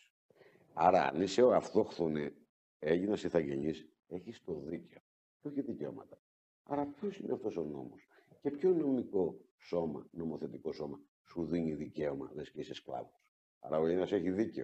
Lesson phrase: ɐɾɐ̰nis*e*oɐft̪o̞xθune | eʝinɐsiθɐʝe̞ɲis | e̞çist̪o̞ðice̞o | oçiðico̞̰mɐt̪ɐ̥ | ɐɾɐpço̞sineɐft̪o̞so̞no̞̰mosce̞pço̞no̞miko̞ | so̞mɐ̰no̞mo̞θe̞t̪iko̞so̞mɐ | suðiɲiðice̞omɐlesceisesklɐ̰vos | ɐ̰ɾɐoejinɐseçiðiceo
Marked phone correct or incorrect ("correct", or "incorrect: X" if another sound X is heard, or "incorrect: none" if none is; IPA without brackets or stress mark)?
correct